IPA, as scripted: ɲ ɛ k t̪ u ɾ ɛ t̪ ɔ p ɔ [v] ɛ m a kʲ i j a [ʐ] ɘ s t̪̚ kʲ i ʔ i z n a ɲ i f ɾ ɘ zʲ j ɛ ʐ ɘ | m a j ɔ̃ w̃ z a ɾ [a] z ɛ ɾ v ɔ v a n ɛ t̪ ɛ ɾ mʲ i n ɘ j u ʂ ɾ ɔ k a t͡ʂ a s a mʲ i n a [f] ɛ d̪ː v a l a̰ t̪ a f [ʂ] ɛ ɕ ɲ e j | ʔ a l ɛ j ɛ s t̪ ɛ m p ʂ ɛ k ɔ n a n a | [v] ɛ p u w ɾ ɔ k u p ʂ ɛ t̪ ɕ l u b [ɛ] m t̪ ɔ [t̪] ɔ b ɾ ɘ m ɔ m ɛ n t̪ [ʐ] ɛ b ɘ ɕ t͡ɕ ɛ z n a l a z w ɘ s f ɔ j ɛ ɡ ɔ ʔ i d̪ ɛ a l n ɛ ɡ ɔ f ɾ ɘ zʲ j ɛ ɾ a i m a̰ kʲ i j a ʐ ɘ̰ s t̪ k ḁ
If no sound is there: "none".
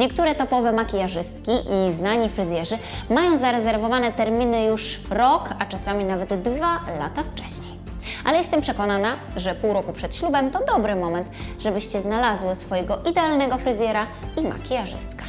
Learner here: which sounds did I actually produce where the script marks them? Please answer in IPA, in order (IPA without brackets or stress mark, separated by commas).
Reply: v, ʐ, ɛ, v, t͡ʂ, ʐ, ɛ, d̪, ʐ